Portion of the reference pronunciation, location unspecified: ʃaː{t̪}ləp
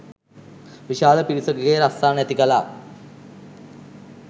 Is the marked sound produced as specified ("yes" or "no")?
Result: no